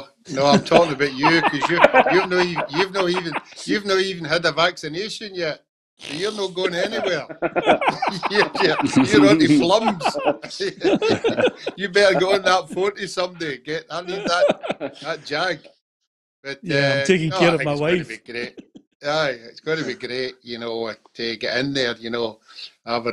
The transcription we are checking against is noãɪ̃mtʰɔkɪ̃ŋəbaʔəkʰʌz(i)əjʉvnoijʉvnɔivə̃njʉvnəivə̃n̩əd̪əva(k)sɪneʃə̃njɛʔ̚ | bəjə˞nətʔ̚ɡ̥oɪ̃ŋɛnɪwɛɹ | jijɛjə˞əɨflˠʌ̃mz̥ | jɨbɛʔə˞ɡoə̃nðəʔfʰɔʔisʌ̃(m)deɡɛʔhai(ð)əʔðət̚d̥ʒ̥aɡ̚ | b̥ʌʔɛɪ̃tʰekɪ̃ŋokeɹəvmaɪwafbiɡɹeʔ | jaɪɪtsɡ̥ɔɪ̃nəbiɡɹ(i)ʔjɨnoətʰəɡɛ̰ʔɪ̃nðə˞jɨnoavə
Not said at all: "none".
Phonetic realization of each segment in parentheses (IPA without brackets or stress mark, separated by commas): j, k, m, ð, e